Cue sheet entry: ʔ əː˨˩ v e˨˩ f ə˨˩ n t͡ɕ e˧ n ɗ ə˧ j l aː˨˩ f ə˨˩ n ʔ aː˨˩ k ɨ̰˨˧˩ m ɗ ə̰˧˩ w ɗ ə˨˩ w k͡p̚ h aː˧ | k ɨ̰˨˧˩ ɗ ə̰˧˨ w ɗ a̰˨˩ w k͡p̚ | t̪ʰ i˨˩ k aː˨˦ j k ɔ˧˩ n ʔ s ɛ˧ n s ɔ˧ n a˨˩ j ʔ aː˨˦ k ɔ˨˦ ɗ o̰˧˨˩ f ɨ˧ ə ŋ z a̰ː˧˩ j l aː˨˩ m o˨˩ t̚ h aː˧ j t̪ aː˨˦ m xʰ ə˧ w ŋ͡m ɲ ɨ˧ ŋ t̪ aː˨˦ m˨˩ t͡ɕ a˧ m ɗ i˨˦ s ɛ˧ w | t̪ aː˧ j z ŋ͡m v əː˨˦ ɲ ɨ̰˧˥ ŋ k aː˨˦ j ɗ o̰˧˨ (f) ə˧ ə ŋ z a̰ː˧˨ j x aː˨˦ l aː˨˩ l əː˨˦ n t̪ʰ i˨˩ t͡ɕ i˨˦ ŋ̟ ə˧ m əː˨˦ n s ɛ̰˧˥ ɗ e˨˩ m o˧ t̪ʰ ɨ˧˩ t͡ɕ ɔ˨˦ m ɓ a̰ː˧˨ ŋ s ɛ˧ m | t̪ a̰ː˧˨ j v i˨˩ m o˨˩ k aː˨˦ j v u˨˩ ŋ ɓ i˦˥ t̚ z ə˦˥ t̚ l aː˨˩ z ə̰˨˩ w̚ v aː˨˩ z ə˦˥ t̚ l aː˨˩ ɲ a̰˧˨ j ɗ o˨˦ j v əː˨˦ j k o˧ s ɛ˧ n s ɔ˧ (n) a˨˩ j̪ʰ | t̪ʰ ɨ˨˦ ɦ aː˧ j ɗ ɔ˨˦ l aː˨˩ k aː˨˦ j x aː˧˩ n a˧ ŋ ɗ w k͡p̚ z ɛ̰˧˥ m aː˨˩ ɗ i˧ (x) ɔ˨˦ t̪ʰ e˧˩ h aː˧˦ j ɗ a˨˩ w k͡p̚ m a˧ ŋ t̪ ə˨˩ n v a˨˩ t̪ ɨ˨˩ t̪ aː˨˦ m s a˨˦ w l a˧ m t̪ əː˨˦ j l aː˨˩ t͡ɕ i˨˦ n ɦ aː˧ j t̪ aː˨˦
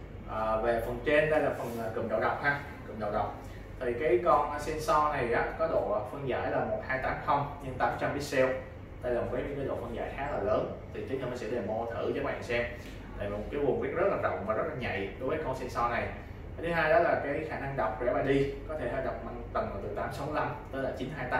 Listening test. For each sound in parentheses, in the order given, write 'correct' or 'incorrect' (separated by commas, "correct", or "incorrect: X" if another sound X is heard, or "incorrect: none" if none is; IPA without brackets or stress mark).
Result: correct, correct, incorrect: k